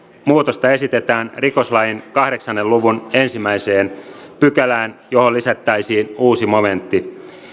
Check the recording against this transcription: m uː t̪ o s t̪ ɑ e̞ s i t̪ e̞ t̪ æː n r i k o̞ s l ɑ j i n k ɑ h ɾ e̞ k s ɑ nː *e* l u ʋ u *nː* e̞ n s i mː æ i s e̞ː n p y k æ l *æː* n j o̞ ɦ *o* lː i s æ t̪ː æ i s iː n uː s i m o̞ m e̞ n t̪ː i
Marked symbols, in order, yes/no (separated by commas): yes, no, yes, yes